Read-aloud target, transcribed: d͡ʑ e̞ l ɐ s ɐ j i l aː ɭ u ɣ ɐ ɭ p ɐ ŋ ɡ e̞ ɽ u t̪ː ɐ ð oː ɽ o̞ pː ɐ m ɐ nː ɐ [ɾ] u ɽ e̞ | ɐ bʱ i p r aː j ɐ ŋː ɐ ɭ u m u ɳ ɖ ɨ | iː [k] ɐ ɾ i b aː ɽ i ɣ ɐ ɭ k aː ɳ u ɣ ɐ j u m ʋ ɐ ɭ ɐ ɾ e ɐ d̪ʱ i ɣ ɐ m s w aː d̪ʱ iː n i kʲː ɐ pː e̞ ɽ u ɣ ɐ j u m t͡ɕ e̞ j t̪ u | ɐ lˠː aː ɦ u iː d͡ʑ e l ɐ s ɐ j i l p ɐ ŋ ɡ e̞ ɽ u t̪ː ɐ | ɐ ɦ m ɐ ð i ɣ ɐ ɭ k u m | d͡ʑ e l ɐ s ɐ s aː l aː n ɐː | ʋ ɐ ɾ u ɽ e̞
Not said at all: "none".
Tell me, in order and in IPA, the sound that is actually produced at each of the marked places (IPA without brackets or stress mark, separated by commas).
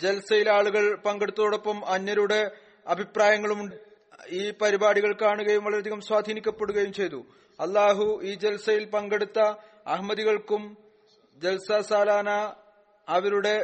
ɾ, p